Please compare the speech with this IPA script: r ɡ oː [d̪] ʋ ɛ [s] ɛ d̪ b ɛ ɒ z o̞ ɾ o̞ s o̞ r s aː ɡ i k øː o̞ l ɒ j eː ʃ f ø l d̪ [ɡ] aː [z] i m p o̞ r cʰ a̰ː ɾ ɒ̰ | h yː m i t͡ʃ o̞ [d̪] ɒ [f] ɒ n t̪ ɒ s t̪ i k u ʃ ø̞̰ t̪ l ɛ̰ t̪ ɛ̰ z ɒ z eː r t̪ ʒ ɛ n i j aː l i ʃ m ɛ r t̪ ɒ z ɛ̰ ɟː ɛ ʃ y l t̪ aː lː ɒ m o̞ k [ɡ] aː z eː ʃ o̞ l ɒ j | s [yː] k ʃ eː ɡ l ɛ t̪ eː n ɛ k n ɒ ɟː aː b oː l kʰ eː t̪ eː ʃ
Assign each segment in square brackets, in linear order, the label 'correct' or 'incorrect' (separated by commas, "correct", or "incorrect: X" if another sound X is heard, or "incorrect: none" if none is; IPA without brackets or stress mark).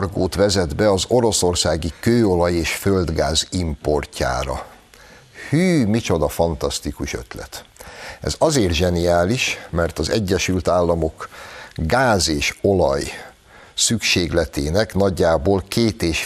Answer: incorrect: t̪, incorrect: z, correct, correct, correct, correct, correct, incorrect: y